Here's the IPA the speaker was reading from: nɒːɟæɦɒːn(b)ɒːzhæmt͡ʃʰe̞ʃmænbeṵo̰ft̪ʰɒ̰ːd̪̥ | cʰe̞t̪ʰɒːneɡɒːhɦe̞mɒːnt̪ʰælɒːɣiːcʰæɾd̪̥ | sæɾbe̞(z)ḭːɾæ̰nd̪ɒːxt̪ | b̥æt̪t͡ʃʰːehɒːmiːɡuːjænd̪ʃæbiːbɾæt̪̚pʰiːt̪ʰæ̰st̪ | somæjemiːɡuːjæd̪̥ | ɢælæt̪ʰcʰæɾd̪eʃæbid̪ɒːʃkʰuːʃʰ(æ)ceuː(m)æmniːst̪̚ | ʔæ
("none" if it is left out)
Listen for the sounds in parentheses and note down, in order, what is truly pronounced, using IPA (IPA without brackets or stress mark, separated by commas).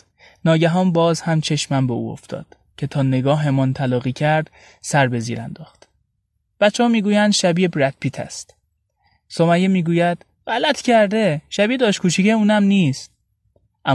b, z, i, n